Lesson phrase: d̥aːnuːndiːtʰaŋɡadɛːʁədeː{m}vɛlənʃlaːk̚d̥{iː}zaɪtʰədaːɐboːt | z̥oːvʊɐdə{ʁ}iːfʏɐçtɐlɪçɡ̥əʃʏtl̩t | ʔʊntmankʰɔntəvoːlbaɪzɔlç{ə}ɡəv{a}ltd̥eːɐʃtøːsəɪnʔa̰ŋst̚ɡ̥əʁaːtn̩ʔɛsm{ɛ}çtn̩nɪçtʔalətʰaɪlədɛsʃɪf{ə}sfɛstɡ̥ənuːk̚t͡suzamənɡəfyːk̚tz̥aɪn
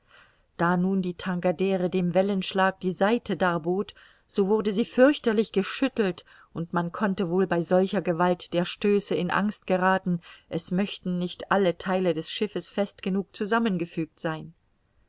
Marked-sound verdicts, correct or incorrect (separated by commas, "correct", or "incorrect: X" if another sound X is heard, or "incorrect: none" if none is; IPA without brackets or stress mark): correct, correct, incorrect: z, incorrect: ɐ, correct, incorrect: œ, correct